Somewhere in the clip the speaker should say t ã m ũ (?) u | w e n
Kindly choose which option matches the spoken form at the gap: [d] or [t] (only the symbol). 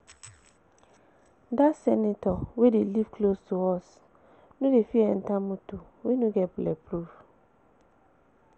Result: t